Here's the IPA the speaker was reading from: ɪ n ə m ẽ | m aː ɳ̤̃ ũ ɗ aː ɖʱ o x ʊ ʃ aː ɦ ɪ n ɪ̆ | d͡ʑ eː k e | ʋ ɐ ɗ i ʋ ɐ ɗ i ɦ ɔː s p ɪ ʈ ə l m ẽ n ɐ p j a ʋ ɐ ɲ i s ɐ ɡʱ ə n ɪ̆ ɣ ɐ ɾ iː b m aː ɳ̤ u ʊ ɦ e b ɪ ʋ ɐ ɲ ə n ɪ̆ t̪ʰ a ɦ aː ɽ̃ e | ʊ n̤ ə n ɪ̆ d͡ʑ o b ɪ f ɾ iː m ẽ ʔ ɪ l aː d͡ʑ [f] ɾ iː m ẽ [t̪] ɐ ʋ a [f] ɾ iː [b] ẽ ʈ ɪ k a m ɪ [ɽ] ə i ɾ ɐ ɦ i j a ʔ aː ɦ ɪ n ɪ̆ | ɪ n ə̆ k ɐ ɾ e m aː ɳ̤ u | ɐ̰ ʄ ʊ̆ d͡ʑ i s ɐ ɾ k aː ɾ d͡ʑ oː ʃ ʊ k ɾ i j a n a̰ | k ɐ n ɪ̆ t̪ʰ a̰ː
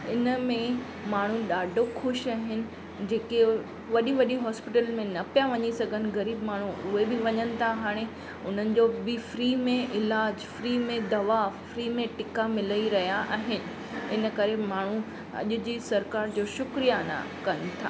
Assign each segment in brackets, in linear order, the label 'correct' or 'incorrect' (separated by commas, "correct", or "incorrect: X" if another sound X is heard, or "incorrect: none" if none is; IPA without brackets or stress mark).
correct, incorrect: d̪, correct, incorrect: m, incorrect: l